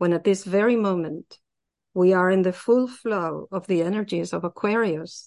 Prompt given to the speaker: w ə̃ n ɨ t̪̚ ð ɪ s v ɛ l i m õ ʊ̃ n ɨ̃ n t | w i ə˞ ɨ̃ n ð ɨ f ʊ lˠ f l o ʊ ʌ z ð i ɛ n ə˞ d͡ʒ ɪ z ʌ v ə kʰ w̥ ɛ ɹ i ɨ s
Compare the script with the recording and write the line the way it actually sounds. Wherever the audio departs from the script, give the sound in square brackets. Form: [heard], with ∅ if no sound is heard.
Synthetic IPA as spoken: w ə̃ n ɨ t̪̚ ð ɪ s v ɛ [ɹ] i m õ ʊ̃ [m] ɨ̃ n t | w i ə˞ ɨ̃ n ð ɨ f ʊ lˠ f l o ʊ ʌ [v] ð i ɛ n ə˞ d͡ʒ [i] z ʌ v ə kʰ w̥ ɛ ɹ i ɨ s